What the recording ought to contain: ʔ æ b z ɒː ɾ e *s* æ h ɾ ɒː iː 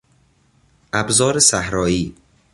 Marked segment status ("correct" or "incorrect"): correct